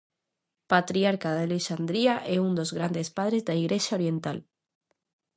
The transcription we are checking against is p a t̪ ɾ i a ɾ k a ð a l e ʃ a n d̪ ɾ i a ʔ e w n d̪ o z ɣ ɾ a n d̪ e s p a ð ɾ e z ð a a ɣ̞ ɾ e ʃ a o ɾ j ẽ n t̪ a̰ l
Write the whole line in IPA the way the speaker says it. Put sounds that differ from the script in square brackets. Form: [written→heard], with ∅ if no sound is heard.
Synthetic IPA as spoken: p a t̪ ɾ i a ɾ k a ð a l e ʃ a n d̪ ɾ i a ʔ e [w→u] n d̪ o z ɣ ɾ a n d̪ e s p a ð ɾ e z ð a [a→i] ɣ̞ ɾ e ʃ a o ɾ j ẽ n t̪ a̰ l